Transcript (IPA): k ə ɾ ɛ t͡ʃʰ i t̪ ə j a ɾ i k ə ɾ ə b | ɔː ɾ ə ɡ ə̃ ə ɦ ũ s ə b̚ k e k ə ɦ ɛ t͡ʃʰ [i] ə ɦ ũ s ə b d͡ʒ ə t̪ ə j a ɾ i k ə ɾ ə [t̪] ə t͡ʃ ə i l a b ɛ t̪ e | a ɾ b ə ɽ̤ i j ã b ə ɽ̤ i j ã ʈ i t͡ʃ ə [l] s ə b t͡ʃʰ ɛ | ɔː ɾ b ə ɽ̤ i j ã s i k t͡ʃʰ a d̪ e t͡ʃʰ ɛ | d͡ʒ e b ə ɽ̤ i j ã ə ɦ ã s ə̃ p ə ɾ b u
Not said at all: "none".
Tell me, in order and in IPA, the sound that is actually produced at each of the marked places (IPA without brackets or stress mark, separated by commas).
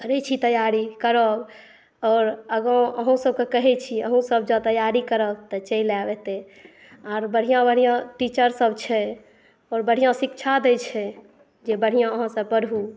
i, t̪, ɾ